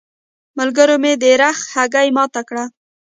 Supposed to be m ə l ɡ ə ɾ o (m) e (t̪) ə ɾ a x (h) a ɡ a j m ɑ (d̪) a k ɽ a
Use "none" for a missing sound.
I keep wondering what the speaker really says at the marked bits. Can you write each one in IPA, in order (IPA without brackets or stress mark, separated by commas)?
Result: m, d̪, h, t̪